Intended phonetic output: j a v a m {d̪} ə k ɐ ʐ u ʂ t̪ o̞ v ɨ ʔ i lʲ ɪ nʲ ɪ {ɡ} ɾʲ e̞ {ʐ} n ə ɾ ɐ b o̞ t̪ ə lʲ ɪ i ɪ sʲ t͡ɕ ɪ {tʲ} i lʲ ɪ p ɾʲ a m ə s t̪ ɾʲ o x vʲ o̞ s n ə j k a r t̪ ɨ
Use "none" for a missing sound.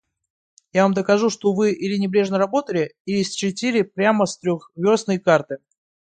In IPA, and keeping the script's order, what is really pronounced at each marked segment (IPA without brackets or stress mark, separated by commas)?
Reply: d̪, b, ʐ, tʲ